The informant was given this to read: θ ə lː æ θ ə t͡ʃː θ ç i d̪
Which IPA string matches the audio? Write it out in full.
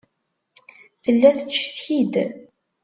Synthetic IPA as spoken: θ ə lː æ θ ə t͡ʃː θ ç i d̪